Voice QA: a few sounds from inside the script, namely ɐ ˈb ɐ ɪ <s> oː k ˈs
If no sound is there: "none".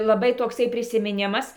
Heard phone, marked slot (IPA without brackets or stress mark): t